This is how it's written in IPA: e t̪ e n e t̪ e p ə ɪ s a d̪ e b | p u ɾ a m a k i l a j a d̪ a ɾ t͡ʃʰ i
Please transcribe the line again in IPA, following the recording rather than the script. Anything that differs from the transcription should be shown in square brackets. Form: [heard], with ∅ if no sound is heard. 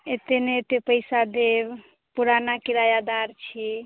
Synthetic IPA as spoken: e t̪ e n e t̪ e p ə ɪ s a d̪ e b | p u ɾ a [n] a k i [ɾ] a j a d̪ a ɾ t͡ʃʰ i